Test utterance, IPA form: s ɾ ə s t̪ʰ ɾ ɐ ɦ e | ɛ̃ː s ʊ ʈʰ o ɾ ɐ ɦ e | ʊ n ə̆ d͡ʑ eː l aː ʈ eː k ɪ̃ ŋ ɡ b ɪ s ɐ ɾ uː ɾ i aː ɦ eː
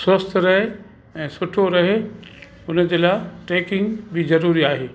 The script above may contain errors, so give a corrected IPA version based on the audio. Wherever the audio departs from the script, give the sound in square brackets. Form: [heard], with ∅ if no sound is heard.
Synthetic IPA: s ɾ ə s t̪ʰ ɾ ɐ ɦ e | ɛ̃ː s ʊ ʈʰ o ɾ ɐ ɦ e | ʊ n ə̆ d͡ʑ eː l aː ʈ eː k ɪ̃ ŋ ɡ b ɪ [z] ɐ ɾ uː ɾ i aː ɦ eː